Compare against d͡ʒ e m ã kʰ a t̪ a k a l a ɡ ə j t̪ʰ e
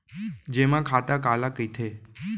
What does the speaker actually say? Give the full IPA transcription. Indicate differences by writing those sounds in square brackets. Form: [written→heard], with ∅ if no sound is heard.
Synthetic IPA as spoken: d͡ʒ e m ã kʰ a t̪ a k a l a [ɡ→k] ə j t̪ʰ e